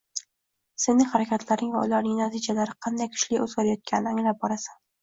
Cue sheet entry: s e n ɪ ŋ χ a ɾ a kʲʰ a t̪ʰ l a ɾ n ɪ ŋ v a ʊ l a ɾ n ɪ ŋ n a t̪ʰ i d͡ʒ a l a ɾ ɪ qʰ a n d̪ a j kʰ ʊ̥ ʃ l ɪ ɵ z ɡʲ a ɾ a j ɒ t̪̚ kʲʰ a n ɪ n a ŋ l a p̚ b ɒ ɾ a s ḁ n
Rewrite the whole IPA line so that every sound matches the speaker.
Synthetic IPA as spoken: s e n ɪ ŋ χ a ɾ a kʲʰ a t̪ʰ l a ɾ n ɪ ŋ v a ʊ l a ɾ n ɪ ŋ n a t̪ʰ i d͡ʒ a l a ɾ ɪ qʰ ɑ n d̪ a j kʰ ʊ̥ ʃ l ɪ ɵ z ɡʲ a ɾ a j ɒ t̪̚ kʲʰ a n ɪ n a ŋ l a p̚ b ɒ ɾ a s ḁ n

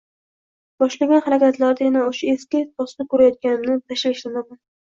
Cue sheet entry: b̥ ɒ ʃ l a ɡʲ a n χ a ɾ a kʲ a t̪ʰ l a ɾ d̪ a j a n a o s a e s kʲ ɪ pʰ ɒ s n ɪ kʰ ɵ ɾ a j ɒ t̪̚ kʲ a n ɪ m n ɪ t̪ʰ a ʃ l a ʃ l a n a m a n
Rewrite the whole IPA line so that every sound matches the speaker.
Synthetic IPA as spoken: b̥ ɒ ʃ l a ɡʲ a n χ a ɾ a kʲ a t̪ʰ l a ɾ d̪ a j a n a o ʃ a e s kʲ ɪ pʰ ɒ s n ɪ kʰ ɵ ɾ a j ɒ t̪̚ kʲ a n ɪ m n ɪ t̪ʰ a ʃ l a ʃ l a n a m a n

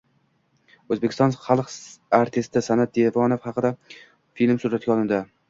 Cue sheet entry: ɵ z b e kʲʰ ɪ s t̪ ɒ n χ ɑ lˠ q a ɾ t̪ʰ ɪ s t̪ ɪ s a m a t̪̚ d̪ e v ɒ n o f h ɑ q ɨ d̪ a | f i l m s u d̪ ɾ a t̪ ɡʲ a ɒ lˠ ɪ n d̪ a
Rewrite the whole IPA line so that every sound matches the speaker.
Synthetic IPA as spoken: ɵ z b e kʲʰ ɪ s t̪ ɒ n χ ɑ lˠ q a ɾ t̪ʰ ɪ s t̪ ɪ s a n a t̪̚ d̪ e v ɒ n o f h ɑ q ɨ d̪ a | f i l m s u ɾ a t̪ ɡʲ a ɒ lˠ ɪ n d̪ a

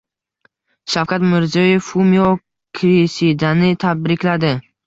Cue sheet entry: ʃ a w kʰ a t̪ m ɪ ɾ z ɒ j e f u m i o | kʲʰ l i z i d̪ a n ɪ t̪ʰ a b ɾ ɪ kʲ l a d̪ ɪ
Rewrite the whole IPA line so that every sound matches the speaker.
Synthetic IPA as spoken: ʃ a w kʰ a t̪ m ɪ ɾ z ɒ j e f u m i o | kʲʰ ɾ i s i d̪ a n ɪ t̪ʰ a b ɾ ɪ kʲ l a d̪ ɪ

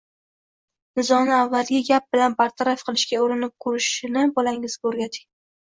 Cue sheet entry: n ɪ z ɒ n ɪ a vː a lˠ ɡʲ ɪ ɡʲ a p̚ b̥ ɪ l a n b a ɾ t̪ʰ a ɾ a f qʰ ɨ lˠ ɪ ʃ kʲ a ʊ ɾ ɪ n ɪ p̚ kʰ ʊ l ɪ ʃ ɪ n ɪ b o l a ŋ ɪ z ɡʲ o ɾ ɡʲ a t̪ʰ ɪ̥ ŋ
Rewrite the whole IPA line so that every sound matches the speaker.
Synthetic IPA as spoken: n ɪ z ɒ n ɪ a vː a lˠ ɡʲ ɪ ɡʲ a p̚ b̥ ɪ l a n b a ɾ t̪ʰ a ɾ a f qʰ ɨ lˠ ɪ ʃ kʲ a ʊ ɾ ɪ n ɪ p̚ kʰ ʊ ɾ ɪ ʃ ɪ n ɪ b ɒ l a ŋ ɪ z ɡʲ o ɾ ɡʲ a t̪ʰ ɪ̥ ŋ

